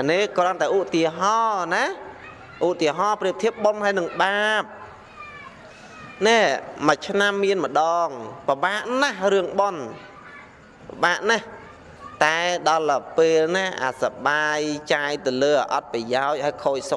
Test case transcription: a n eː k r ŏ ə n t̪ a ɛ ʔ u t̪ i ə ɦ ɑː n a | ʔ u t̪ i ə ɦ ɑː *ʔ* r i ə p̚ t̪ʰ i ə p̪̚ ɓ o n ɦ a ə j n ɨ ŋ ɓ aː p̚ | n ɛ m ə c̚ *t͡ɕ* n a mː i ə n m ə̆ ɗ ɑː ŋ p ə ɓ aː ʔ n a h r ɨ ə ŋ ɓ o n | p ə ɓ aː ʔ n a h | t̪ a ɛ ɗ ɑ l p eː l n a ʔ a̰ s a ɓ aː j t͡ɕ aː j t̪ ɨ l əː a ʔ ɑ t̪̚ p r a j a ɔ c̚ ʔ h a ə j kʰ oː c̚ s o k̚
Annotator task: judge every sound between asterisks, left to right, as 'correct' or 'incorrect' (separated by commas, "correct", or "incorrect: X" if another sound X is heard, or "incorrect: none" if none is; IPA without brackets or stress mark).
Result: incorrect: p, incorrect: t͡ɕʰ